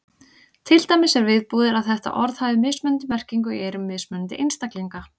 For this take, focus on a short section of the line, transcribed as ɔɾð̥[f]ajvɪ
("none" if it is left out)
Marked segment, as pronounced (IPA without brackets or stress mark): h